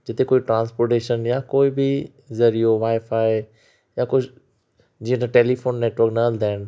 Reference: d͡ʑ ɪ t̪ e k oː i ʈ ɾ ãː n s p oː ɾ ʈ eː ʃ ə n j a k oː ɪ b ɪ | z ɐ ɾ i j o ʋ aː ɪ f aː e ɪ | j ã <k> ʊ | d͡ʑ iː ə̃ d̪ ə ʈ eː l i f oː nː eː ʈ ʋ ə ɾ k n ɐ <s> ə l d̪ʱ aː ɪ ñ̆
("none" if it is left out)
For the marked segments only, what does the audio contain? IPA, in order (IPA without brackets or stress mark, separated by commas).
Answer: k, none